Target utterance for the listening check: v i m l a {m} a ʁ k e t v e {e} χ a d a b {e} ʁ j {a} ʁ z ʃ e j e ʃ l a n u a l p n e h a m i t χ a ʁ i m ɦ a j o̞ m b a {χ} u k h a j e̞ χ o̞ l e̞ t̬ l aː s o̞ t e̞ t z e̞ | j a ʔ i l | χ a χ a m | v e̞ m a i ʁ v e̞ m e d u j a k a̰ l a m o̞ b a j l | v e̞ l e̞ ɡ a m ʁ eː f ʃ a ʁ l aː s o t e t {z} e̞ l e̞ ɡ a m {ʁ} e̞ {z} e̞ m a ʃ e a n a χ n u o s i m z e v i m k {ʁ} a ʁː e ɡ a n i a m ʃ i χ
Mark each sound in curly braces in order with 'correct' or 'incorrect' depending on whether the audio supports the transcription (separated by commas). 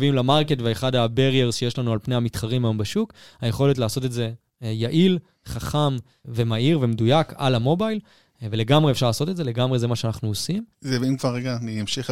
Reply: correct, correct, correct, incorrect, incorrect, correct, correct, correct, incorrect